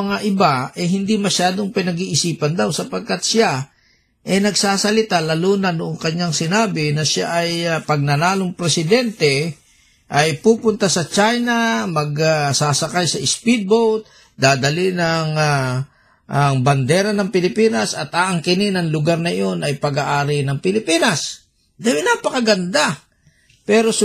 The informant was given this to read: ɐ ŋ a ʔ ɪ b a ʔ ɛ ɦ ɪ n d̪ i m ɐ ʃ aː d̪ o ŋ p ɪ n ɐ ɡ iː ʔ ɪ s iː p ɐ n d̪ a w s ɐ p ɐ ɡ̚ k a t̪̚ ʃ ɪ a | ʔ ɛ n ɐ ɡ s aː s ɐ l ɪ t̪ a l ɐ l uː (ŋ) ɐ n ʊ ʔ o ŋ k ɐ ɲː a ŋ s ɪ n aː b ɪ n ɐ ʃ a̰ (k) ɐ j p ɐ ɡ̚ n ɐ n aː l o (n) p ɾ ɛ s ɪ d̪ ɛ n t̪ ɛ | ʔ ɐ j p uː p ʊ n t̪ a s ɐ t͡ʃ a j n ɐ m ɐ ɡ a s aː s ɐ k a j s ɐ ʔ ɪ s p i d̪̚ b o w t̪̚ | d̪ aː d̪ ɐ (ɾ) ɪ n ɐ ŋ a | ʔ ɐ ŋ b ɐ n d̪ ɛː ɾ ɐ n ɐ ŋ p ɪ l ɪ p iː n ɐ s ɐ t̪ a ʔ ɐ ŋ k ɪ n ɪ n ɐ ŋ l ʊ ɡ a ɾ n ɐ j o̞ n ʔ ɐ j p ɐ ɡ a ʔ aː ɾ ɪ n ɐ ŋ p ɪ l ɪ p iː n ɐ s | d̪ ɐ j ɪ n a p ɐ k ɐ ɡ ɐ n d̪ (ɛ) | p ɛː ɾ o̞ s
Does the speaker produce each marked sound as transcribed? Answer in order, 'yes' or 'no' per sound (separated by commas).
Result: no, no, no, no, no